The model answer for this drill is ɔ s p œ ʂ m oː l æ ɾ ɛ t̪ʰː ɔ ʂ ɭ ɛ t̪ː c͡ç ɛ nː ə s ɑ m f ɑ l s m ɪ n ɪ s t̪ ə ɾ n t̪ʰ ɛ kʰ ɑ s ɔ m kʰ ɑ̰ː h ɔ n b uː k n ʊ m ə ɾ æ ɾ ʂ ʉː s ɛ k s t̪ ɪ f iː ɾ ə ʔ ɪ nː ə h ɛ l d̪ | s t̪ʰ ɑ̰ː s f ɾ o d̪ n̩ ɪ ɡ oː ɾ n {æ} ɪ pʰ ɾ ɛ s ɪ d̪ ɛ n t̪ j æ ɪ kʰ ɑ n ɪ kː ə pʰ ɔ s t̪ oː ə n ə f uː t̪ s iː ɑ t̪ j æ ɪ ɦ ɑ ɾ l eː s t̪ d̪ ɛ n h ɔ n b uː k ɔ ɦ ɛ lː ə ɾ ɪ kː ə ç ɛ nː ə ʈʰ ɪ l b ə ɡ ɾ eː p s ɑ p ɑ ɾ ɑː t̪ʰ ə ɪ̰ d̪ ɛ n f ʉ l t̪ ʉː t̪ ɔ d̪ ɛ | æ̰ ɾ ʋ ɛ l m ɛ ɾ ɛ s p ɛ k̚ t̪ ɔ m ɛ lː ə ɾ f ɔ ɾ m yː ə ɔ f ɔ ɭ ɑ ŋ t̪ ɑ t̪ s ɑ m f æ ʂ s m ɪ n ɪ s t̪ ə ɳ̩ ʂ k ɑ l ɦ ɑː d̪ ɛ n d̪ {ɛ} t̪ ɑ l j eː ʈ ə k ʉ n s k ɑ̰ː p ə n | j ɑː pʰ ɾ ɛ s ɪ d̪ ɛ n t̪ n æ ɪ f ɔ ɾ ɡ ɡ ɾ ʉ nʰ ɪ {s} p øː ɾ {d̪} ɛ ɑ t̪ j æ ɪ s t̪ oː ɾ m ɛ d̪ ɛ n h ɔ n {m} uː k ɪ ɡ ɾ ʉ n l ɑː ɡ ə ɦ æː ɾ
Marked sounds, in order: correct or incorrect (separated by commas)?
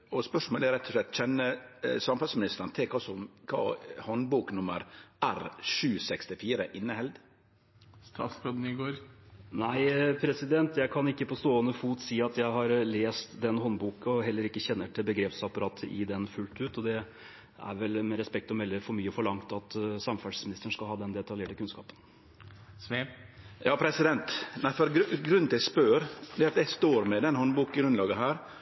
correct, correct, correct, correct, incorrect